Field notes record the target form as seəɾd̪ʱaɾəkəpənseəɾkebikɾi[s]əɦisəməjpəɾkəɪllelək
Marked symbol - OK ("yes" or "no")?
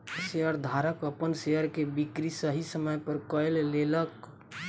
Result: yes